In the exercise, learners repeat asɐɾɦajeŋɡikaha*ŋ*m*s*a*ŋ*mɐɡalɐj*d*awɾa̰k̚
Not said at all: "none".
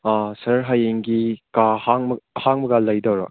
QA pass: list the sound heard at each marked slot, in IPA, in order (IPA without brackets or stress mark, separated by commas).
ŋ, h, ŋ, d